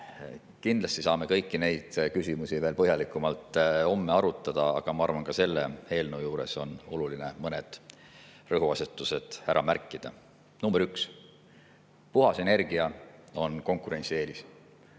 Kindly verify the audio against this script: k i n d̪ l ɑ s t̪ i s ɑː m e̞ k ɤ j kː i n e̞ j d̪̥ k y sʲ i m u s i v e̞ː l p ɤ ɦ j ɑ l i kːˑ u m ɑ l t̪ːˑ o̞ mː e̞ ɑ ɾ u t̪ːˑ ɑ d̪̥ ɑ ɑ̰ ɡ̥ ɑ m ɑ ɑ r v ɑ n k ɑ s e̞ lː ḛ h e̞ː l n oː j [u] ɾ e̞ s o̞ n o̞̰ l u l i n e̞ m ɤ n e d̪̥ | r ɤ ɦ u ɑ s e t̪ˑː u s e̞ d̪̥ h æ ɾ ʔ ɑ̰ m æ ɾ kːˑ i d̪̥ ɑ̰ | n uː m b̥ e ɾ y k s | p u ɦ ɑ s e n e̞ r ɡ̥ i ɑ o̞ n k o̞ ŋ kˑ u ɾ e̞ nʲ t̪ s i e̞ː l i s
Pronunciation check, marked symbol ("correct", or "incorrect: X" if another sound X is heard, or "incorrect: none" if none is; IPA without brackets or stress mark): incorrect: uː